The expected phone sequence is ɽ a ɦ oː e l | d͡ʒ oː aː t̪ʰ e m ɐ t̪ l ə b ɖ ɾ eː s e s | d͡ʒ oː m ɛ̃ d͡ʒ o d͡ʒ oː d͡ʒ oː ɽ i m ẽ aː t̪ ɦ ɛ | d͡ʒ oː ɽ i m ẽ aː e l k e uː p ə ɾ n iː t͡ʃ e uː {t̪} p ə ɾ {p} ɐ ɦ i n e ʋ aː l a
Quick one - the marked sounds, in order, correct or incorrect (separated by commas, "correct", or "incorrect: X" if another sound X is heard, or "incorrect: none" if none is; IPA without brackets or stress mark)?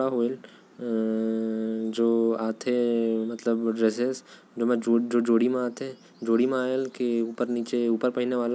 incorrect: none, correct